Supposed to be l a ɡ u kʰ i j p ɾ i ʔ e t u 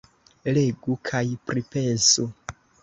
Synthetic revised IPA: l e ɡ u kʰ a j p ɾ i p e s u

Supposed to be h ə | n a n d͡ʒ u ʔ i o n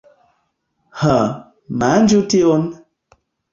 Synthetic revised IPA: h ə | m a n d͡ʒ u t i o n

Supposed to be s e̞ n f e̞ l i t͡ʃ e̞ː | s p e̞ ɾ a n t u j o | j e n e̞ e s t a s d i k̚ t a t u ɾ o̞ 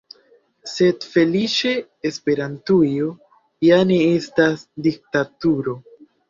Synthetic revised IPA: s e̞ d f e̞ l i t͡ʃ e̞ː | s p e̞ ɾ a n t u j o | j a n e̞ e s t a s d i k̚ t a t u ɾ o̞

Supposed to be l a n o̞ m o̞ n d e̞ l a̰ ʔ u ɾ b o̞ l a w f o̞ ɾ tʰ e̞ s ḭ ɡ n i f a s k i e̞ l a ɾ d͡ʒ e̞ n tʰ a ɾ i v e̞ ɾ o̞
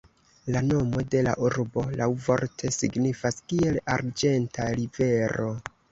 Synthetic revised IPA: l a n o̞ m o̞ d e̞ l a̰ ʔ u ɾ b o̞ l a w v o̞ ɾ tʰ e̞ s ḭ ɡ n i f a s k i e̞ l a ɾ d͡ʒ e̞ n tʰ a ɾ i v e̞ ɾ o̞

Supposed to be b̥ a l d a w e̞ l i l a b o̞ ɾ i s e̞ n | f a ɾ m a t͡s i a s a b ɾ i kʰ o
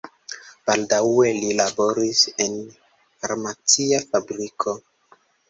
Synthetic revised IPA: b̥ a l d a w e̞ l i l a b o̞ ɾ i s e̞ n | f a ɾ m a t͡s i a f a b ɾ i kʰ o

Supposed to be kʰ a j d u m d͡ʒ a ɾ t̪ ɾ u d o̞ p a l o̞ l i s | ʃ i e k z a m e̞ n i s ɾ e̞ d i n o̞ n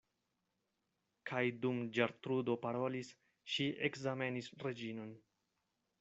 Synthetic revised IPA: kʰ a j d u m d͡ʒ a ɾ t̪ ɾ u d o̞ p a ɾ o̞ l i s | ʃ i e k z a m e̞ n i s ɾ e̞ d͡ʒ i n o̞ n

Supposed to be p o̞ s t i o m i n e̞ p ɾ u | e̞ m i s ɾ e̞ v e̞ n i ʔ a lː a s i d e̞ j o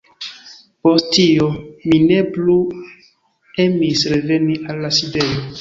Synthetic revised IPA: p o̞ s t i o m i n e̞ p l u | e̞ m i s ɾ e̞ v e̞ n i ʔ a lː a s i d e̞ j o

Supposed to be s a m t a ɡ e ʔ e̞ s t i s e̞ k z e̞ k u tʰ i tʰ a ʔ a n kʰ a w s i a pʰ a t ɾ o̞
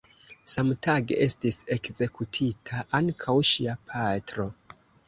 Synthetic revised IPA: s a m t a ɡ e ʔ e̞ s t i s e̞ k z e̞ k u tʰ i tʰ a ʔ a ŋ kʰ a w ʃ i a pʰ a t ɾ o̞

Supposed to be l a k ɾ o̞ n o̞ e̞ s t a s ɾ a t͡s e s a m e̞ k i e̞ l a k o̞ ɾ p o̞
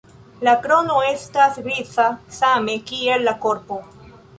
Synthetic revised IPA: l a k ɾ o̞ n o̞ e̞ s t a s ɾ i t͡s a s a m e̞ k i e̞ lː a k o̞ ɾ p o̞

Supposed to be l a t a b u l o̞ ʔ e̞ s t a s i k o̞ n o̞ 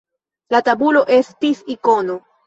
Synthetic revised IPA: l a t a b u l o̞ ʔ e̞ s t i s i k o̞ n o̞

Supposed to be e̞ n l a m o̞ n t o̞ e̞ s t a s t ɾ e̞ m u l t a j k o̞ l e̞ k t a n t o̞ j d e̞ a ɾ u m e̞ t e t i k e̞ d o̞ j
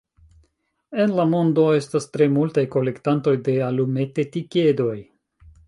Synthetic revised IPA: e̞ n l a m o̞ n d o̞ e̞ s t a s t ɾ e̞ m u l t a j k o̞ l e̞ k t a n t o̞ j d e̞ a l u m e̞ t e t i k e̞ d o̞ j

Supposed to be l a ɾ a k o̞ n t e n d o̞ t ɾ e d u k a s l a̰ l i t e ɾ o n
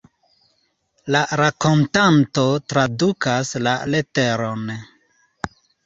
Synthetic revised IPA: l a ɾ a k o̞ n t a n t o̞ t ɾ a d u k a s l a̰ l e t e ɾ o n

